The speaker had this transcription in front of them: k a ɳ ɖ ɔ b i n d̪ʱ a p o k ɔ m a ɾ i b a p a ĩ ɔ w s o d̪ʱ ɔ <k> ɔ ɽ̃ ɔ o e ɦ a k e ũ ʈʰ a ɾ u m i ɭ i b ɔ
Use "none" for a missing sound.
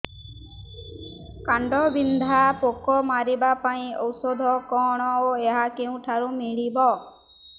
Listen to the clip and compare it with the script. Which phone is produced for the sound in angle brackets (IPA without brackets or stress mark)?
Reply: k